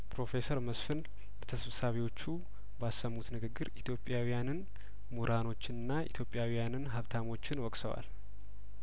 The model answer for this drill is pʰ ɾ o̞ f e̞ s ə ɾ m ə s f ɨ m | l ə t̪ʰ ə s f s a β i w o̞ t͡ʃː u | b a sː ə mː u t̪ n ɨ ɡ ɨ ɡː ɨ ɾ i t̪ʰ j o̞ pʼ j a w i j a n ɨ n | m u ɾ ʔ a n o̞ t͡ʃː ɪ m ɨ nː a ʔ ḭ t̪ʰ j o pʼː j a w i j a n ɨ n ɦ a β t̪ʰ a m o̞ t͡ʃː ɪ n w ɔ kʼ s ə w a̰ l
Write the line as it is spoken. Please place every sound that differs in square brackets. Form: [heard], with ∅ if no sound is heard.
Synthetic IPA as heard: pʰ ɾ o̞ f e̞ s ə ɾ m ə s f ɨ [n] | l ə t̪ʰ ə s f s a β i w o̞ t͡ʃː u | b a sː ə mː u t̪ n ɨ ɡ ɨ ɡː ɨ ɾ i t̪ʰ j o̞ pʼ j a w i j a n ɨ n | m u ɾ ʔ a n o̞ t͡ʃː ɪ [n] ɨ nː a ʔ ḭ t̪ʰ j o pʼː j a w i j a n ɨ n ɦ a β t̪ʰ a m o̞ t͡ʃː ɪ n w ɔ kʼ s ə w a̰ l